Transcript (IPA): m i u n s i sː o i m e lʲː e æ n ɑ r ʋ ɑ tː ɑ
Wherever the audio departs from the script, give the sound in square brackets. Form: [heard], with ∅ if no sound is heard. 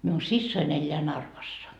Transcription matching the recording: m i u n s i sː o i [n] e lʲː e æ n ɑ r ʋ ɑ [sː] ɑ